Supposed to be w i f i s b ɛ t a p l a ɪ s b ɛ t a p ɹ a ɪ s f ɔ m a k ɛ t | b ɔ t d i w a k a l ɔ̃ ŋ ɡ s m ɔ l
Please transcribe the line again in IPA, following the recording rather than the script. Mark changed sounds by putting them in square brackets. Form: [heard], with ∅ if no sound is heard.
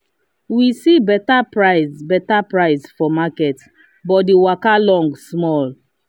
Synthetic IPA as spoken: w i [s] i [∅] b ɛ t a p [ɹ] a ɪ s b ɛ t a p ɹ a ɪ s f ɔ m a k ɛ t | b ɔ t d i w a k a l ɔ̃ ŋ ɡ s m ɔ l